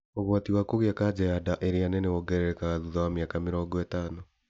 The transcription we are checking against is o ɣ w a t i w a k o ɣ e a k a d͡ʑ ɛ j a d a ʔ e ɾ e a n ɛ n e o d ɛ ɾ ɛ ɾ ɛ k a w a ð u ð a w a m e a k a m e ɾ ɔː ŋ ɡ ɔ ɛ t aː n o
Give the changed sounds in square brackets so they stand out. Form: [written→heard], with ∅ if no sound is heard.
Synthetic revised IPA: o ɣ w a t i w a k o ɣ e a k a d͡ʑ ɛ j a d a ʔ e ɾ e a n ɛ n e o [d→ɡ] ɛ ɾ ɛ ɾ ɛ k a [w→ɣ] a ð u ð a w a m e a k a m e ɾ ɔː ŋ ɡ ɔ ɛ t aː n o